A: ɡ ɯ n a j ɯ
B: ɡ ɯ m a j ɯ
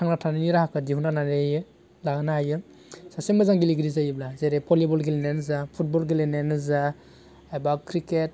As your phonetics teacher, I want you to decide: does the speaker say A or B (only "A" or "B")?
A